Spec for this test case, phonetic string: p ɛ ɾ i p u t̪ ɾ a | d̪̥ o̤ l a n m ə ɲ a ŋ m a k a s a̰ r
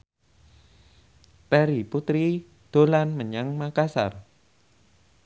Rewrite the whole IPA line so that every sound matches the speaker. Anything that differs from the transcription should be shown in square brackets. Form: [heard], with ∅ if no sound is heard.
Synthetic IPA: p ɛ ɾ i p u t̪ ɾ [i] | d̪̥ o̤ l a n m ə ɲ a ŋ m a k a s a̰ r